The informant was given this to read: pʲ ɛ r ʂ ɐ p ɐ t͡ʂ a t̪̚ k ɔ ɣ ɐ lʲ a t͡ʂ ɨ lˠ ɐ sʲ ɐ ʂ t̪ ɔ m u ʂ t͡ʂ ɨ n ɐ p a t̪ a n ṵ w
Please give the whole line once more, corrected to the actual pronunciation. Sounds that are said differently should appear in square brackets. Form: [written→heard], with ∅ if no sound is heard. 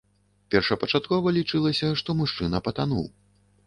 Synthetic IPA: pʲ ɛ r ʂ ɐ p ɐ t͡ʂ a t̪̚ k ɔ [ɣ→v] ɐ lʲ [a→i] t͡ʂ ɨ lˠ ɐ sʲ ɐ ʂ t̪ ɔ m u ʂ t͡ʂ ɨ n ɐ p [a→ɐ] t̪ a n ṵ w